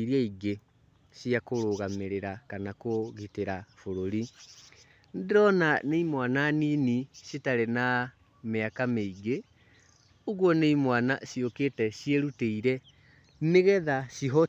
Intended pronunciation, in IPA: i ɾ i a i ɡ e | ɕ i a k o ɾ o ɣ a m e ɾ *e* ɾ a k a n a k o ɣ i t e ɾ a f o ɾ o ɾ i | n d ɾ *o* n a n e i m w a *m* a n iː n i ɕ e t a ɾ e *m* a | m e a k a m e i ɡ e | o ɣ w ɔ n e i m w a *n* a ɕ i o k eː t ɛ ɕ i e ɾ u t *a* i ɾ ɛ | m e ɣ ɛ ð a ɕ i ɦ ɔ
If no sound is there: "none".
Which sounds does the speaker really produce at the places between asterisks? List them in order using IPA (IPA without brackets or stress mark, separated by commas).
e, ɔ, n, n, n, e